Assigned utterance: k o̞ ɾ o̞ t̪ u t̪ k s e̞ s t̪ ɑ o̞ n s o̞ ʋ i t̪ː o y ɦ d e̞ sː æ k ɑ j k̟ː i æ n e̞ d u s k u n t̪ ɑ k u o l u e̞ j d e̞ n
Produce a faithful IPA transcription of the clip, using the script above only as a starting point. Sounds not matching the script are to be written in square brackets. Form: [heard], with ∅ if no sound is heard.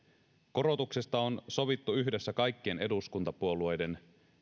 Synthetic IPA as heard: k o̞ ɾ o̞ t̪ u [∅] k s e̞ s t̪ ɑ o̞ n s o̞ ʋ i t̪ː [u] y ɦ d e̞ sː æ k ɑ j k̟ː i [e] n e̞ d u s k u n t̪ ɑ [p] u o l u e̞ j d e̞ n